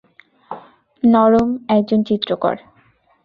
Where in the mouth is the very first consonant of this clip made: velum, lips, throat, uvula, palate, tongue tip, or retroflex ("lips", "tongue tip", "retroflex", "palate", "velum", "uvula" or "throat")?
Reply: tongue tip